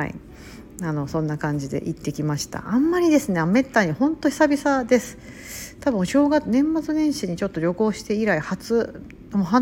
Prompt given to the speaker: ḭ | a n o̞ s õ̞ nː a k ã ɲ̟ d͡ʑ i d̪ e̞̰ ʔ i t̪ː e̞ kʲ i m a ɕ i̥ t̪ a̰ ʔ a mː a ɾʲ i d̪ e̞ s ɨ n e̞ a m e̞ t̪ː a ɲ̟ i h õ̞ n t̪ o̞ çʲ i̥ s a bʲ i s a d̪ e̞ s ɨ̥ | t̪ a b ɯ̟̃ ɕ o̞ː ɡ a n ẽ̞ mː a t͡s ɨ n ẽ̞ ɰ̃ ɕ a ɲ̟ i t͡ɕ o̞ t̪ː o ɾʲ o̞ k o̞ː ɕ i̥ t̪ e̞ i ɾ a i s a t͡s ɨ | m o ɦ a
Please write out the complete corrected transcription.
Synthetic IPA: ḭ | a n o̞ s õ̞ nː a k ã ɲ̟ d͡ʑ i d̪ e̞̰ ʔ i t̪ː e̞ kʲ i m a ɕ i̥ t̪ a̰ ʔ a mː a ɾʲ i d̪ e̞ s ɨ n e̞ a m e̞ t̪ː a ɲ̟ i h õ̞ n t̪ o̞ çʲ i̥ s a bʲ i s a d̪ e̞ s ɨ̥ | t̪ a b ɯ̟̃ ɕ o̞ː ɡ a n ẽ̞ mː a t͡s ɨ n ẽ̞ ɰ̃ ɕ i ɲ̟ i t͡ɕ o̞ t̪ː o ɾʲ o̞ k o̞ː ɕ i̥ t̪ e̞ i ɾ a i h a t͡s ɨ | m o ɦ a